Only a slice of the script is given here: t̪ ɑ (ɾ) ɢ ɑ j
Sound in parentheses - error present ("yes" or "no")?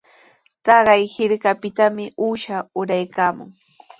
yes